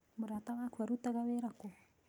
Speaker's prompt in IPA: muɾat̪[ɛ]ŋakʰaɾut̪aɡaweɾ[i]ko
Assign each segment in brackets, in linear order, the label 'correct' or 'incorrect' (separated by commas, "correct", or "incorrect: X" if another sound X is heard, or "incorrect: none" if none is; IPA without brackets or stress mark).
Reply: incorrect: a, incorrect: a